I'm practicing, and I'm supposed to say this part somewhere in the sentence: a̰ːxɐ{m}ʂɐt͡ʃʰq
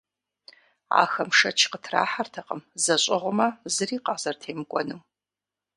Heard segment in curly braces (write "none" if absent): m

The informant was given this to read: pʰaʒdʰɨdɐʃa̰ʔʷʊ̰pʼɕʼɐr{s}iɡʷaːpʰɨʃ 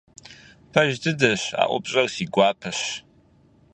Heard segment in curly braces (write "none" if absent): s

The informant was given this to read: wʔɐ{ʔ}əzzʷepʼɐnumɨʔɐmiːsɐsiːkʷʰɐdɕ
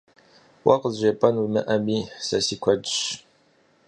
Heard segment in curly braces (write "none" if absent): q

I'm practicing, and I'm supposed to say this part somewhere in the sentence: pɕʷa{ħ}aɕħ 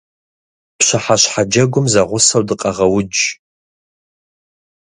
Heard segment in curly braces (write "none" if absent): ħ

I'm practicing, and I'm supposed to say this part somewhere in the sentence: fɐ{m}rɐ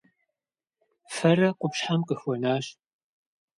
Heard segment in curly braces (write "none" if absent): none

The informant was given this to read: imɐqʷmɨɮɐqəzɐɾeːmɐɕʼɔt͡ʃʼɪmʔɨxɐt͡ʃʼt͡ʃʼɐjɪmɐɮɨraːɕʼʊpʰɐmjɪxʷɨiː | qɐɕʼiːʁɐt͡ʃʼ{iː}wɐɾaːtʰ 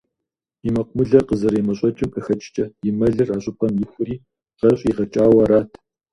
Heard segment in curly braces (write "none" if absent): aː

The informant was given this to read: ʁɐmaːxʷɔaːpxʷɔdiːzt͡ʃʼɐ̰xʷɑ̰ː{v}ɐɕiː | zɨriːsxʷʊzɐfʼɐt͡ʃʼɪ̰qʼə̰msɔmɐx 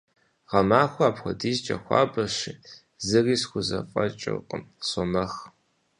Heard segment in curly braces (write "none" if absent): b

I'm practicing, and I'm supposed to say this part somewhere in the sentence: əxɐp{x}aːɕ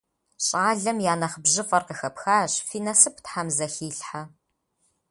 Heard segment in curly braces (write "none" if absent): x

